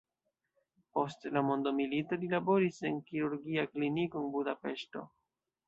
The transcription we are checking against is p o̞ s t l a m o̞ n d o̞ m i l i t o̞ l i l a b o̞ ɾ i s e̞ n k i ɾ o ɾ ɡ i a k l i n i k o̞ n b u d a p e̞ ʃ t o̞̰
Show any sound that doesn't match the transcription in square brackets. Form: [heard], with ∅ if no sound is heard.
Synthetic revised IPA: p o̞ s t l a m o̞ n d o̞ m i l i t o̞ l i l a b o̞ ɾ i s e̞ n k i ɾ [u] ɾ ɡ i a k l i n i k o̞ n b u d a p e̞ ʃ t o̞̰